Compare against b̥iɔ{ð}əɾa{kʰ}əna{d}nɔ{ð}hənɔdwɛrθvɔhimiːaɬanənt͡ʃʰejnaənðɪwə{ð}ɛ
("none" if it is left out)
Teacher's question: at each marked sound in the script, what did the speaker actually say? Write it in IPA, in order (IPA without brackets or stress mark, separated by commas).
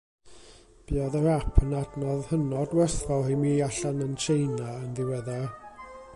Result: ð, pʰ, d, ð, ð